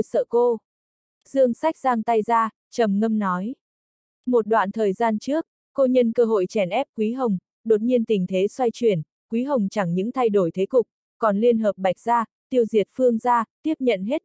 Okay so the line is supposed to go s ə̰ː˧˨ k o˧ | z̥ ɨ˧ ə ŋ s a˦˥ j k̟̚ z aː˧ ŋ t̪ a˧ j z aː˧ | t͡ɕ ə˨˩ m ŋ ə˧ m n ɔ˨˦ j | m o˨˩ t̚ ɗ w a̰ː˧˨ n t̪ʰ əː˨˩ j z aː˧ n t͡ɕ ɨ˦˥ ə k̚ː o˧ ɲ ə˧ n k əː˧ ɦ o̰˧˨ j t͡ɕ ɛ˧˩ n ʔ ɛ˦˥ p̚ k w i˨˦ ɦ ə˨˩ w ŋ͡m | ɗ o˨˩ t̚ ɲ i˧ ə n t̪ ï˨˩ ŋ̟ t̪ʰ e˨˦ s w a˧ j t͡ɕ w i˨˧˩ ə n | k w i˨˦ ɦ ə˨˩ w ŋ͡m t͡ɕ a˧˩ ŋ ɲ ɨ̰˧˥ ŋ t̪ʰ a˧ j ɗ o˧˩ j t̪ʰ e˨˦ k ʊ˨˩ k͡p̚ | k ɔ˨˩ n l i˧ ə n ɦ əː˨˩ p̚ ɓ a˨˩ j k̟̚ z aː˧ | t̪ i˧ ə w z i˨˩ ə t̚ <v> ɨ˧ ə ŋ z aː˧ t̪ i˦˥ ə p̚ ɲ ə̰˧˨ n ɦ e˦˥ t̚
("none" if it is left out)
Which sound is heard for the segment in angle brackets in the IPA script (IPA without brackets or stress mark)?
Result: f